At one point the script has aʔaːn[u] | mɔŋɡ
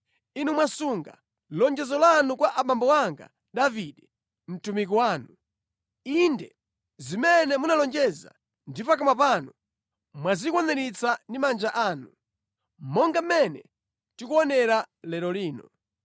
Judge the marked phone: correct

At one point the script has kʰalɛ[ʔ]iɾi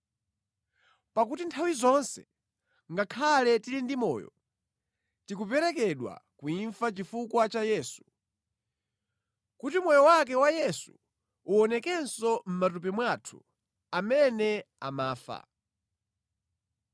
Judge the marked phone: incorrect: t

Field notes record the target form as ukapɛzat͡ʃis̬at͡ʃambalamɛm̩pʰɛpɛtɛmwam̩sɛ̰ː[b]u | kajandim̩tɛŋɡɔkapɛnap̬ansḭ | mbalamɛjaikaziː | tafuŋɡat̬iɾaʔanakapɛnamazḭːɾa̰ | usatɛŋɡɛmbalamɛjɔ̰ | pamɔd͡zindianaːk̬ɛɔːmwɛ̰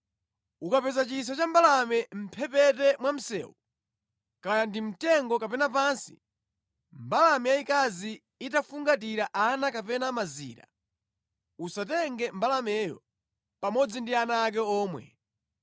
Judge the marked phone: incorrect: w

